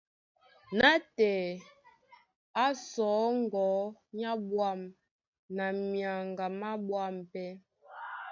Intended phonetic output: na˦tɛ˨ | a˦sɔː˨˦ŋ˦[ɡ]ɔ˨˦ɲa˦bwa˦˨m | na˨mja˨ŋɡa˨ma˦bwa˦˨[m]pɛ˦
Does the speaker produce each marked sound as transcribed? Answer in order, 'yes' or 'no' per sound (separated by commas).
yes, yes